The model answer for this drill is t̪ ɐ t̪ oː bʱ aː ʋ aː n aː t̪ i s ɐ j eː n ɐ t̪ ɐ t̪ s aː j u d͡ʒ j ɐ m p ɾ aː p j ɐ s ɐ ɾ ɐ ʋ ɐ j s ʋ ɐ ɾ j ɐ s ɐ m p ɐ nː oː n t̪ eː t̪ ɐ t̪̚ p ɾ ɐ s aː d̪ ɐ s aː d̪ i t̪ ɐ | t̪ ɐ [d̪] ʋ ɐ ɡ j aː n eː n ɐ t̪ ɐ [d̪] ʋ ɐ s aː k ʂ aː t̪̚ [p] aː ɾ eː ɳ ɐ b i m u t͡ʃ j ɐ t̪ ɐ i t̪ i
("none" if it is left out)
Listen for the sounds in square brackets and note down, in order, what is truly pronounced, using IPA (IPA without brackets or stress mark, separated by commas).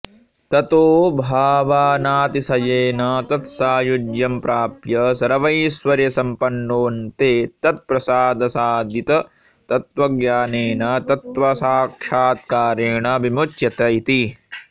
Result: t̪, t̪, k